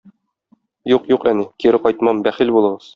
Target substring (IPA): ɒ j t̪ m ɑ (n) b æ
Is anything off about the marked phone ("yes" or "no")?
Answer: yes